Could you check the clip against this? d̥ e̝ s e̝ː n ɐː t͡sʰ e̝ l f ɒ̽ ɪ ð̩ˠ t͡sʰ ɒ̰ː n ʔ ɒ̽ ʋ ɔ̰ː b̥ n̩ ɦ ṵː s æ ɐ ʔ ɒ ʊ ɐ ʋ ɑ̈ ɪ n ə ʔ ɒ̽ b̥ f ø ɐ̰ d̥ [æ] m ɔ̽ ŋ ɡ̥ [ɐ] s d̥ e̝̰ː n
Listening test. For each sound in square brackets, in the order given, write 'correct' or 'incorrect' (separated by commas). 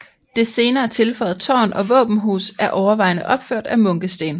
correct, incorrect